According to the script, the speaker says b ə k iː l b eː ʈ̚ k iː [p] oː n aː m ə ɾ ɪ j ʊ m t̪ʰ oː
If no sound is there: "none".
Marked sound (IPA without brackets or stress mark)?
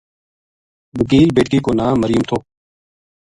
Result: k